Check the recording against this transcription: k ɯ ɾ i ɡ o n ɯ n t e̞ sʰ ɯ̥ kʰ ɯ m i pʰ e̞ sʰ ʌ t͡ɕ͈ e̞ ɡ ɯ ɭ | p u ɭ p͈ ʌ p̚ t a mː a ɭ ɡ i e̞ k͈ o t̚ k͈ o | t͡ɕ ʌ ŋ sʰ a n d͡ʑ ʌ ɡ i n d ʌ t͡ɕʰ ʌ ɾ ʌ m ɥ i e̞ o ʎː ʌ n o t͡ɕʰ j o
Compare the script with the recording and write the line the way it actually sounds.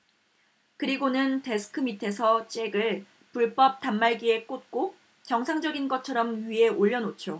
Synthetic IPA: k ɯ ɾ i ɡ o n ɯ n t e̞ sʰ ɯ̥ kʰ ɯ m i tʰ e̞ sʰ ʌ t͡ɕ͈ e̞ ɡ ɯ ɭ | p u ɭ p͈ ʌ p̚ t a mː a ɭ ɡ i e̞ k͈ o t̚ k͈ o | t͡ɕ ʌ ŋ sʰ a ŋ d͡ʑ ʌ ɡ i n ɡ ʌ t͡ɕʰ ʌ ɾ ʌ m ɥ i e̞ o ʎː ʌ n o t͡ɕʰ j o